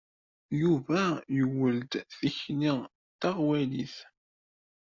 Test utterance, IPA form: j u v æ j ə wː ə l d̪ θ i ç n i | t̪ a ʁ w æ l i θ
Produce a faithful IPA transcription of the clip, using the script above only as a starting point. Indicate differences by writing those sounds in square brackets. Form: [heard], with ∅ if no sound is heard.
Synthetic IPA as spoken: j u v æ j ə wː ə l d̪ θ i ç n i | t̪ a ʁ w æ l i θ